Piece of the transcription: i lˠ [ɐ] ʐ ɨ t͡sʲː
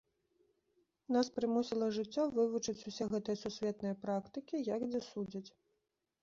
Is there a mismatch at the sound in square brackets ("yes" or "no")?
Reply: no